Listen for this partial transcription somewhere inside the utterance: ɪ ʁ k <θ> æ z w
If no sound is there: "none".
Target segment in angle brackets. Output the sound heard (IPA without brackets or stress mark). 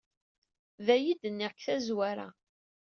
θ